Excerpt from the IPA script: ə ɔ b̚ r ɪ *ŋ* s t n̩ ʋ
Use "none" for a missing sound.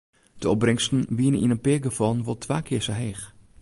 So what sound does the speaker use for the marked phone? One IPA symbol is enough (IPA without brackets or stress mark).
ŋ